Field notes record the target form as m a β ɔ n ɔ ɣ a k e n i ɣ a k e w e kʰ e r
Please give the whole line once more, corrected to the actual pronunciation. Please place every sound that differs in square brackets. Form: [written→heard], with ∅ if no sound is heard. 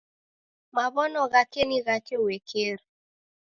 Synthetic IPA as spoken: m a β ɔ n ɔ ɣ a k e n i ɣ a k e w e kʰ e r